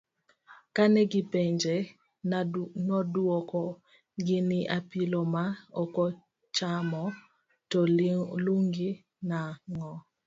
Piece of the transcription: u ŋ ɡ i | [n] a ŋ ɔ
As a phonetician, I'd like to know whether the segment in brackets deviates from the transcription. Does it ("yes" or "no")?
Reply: no